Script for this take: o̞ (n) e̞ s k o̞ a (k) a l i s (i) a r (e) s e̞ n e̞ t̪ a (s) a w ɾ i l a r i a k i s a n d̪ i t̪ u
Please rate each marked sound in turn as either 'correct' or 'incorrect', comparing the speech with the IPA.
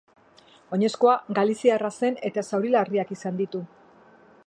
incorrect, incorrect, correct, incorrect, correct

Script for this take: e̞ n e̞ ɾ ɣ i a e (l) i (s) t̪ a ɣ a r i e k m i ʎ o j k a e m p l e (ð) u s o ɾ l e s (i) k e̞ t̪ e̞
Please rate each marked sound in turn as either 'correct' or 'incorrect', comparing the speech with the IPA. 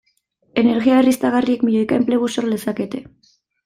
incorrect, correct, incorrect, incorrect

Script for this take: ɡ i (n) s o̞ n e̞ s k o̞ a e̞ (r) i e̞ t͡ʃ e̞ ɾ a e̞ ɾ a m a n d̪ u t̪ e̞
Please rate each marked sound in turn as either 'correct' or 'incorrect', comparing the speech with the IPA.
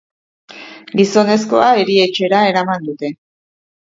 incorrect, incorrect

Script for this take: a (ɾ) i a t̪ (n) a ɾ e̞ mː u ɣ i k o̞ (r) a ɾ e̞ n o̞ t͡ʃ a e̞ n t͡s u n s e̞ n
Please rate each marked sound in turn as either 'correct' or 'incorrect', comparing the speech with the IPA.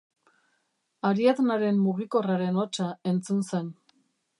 correct, correct, correct

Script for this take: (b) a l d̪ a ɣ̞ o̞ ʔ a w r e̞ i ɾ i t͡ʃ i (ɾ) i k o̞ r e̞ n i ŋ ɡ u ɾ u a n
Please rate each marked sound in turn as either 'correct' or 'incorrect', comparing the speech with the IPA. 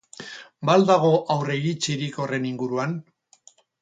correct, correct

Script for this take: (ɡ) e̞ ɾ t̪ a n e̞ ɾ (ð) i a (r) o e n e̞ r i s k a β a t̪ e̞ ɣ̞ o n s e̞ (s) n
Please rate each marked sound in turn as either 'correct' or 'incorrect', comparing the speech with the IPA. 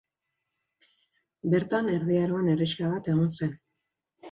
incorrect, correct, incorrect, incorrect

